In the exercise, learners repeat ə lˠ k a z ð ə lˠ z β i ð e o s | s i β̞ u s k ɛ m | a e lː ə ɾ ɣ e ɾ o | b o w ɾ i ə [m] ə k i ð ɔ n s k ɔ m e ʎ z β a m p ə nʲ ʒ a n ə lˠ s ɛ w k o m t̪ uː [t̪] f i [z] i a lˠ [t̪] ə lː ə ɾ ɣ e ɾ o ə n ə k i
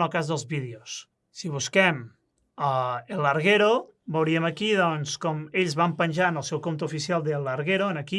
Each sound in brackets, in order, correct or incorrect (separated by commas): correct, incorrect, incorrect, incorrect